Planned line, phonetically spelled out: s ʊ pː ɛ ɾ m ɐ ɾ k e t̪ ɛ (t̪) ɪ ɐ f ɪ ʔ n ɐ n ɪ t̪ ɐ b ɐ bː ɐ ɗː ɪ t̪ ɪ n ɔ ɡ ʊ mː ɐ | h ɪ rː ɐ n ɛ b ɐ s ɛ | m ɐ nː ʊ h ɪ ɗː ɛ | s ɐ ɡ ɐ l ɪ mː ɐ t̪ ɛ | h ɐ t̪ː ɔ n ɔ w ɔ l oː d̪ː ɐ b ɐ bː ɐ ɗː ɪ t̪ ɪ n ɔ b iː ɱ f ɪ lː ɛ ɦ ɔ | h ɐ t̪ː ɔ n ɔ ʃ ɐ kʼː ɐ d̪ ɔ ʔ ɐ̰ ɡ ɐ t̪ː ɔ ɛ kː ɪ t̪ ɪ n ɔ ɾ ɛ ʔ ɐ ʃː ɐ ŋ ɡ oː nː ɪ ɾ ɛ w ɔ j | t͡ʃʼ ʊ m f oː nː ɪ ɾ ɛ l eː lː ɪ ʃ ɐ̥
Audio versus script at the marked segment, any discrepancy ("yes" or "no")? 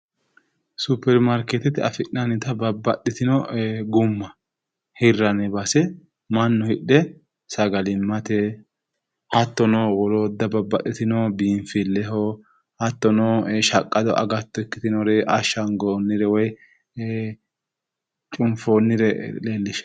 no